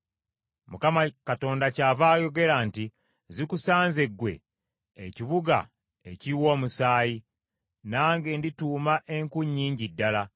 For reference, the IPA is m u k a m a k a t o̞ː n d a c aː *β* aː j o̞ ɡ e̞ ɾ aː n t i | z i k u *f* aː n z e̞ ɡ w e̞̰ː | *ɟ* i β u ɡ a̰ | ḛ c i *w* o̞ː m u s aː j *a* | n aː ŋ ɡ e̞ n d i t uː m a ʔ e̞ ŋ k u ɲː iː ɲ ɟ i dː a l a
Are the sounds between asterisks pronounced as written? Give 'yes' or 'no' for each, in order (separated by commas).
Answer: no, no, no, yes, no